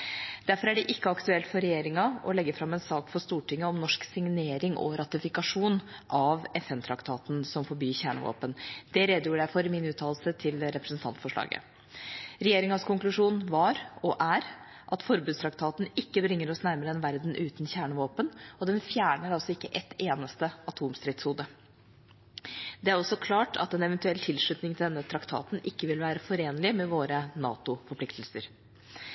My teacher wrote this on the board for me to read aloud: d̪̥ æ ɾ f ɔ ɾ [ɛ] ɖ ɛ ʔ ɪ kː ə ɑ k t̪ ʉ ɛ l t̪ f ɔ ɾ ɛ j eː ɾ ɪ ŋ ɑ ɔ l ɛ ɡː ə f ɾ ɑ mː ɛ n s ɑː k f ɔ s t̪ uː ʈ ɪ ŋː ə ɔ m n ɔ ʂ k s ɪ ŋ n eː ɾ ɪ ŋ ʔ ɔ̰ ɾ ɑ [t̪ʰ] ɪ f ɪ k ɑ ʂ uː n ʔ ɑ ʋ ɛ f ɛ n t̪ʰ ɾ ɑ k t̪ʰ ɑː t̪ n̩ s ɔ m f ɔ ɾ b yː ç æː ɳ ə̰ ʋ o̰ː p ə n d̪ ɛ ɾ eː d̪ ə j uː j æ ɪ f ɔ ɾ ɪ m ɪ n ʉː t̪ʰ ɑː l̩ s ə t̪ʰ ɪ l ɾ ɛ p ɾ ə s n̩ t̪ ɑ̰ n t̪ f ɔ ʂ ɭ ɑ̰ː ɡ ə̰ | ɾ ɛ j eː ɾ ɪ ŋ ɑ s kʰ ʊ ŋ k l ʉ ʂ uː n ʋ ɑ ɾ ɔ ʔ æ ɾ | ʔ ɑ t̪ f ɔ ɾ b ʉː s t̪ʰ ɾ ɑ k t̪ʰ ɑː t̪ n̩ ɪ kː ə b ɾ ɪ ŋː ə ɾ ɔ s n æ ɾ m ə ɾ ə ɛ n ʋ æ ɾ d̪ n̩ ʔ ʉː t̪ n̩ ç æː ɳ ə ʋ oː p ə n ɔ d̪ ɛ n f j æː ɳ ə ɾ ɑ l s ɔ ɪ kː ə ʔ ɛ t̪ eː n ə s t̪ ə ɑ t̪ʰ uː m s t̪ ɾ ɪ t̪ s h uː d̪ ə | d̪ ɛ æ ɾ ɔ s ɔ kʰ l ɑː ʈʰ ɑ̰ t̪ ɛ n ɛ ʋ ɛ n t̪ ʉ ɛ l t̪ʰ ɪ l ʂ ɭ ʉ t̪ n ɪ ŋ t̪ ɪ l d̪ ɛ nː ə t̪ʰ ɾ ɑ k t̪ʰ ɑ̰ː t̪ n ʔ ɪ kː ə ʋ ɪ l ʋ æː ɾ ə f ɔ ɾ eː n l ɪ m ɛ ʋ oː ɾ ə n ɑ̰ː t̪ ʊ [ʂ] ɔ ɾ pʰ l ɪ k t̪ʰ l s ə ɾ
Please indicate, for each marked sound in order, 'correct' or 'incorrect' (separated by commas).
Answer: incorrect, incorrect, incorrect